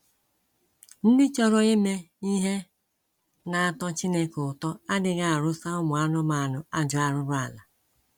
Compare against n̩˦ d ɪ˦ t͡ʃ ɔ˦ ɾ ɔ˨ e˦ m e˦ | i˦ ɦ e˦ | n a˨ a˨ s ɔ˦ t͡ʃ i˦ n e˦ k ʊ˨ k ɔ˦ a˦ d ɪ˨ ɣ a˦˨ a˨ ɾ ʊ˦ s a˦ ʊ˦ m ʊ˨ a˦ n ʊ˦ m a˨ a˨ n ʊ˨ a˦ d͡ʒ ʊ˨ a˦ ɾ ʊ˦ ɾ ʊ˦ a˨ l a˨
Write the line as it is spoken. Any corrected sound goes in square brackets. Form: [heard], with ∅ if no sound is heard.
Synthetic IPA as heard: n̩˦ d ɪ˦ t͡ʃ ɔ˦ ɾ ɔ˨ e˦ m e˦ | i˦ ɦ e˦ | n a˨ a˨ [t] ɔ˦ t͡ʃ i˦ n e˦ k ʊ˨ [t] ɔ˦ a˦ d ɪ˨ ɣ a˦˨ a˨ ɾ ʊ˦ s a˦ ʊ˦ m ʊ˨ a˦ n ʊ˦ m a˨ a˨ n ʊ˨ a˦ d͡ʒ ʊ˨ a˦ ɾ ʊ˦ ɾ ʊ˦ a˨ l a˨